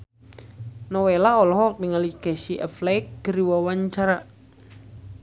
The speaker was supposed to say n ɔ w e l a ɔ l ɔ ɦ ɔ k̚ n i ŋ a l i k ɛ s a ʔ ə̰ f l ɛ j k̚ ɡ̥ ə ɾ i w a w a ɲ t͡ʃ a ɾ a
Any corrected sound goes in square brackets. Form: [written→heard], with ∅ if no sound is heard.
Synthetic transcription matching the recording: n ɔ w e l a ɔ l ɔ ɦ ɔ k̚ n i ŋ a l i k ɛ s [a→i] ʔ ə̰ f l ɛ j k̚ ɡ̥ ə ɾ i w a w a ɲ t͡ʃ a ɾ a